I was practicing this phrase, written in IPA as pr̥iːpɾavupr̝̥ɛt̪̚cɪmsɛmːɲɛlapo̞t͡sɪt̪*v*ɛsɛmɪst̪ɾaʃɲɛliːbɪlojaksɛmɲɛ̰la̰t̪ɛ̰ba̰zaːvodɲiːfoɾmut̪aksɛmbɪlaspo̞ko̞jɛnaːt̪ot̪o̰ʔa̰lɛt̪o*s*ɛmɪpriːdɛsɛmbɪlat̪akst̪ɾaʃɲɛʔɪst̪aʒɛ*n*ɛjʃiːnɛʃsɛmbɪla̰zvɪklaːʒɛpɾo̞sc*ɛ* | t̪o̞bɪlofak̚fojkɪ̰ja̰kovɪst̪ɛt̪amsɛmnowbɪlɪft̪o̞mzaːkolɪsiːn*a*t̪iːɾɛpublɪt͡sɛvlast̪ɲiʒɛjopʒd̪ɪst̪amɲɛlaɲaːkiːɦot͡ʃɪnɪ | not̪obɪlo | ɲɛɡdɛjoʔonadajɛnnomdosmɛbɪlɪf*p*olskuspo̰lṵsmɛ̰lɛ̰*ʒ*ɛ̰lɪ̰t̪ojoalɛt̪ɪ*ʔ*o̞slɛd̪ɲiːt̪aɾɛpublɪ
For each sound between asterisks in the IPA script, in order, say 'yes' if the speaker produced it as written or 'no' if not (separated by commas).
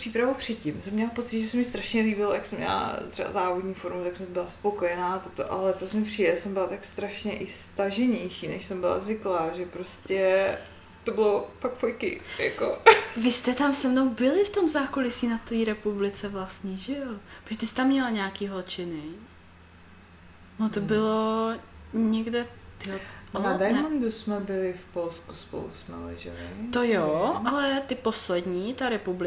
no, yes, no, yes, yes, yes, yes, no